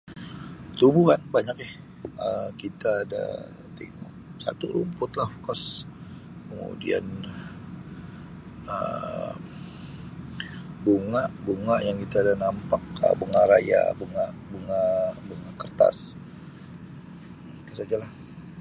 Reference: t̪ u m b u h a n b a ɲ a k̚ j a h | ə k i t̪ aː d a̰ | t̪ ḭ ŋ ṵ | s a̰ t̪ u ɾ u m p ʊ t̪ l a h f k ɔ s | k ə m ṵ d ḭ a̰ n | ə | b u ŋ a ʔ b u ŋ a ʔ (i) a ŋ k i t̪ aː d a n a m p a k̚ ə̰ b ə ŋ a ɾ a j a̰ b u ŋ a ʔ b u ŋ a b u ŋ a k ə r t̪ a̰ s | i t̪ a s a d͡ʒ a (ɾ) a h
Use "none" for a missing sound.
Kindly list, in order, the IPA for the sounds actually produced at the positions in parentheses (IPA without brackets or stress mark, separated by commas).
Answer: j, l